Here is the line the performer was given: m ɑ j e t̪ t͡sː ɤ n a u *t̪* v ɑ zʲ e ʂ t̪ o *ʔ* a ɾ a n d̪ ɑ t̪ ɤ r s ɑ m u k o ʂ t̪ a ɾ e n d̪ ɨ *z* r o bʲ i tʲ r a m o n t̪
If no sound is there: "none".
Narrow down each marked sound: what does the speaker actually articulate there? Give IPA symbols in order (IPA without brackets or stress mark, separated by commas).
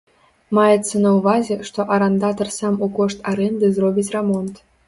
none, ʔ, z